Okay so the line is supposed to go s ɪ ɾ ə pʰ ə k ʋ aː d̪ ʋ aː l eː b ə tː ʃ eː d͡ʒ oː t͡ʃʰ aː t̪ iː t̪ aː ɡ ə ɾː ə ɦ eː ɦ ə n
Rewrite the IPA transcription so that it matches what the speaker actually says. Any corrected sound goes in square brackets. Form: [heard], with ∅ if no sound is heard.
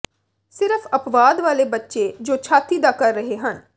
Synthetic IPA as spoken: s ɪ ɾ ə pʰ ə [p] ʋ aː d̪ ʋ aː l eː b ə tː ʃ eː d͡ʒ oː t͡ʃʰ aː t̪ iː [d̪] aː [k] ə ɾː ə ɦ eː ɦ ə n